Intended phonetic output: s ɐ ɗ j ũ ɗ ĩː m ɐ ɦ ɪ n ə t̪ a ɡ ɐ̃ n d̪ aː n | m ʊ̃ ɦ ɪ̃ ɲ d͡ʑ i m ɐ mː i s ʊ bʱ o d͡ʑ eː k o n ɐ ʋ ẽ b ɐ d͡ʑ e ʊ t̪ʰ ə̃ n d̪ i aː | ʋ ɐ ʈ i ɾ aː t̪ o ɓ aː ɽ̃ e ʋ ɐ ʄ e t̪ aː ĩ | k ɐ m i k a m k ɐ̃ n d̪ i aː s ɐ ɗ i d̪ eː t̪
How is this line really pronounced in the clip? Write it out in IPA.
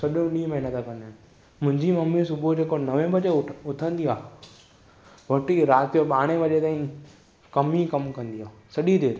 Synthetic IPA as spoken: s ɐ ɗ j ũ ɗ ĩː m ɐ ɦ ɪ n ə t̪ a k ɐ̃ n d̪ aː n | m ʊ̃ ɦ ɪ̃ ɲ d͡ʑ i m ɐ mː i s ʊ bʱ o d͡ʑ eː k o n ɐ ʋ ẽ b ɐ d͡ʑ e ʊ t̪ʰ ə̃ n d̪ i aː | ʋ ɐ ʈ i ɾ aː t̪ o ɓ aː ɽ̃ e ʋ ɐ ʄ e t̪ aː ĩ | k ɐ m i k ɐ m k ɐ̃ n d̪ i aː s ɐ ɗ i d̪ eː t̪